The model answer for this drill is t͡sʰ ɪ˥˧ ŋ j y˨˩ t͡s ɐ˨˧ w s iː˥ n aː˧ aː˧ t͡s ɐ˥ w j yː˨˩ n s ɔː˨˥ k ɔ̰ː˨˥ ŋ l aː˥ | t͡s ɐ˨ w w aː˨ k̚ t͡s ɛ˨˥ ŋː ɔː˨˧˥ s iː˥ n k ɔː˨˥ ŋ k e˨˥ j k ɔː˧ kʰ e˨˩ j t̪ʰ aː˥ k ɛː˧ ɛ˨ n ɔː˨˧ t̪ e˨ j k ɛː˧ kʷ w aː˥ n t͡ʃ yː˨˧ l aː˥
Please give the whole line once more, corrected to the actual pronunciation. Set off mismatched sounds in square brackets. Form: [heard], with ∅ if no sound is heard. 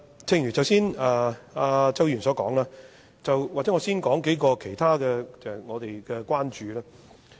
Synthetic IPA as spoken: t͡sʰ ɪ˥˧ ŋ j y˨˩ t͡s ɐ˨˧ w s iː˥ n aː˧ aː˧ t͡s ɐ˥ w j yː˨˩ n s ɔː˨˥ k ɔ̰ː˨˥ ŋ l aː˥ | t͡s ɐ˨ w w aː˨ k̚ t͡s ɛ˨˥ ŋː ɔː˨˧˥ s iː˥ n k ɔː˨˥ ŋ k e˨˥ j k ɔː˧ kʰ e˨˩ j t̪ʰ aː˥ k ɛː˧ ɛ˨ [ŋ] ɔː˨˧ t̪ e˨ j k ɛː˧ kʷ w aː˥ n t͡ʃ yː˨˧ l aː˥